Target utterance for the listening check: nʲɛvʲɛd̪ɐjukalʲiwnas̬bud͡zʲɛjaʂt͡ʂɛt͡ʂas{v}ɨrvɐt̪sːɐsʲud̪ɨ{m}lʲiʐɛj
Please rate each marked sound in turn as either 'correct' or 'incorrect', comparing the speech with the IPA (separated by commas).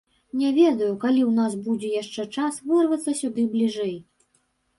correct, incorrect